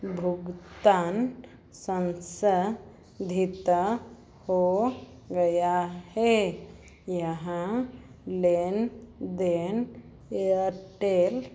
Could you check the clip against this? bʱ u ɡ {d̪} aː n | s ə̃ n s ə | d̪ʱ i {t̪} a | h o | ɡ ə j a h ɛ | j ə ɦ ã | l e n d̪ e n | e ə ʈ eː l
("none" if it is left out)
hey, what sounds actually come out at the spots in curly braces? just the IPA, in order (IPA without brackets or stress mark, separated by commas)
t̪, t̪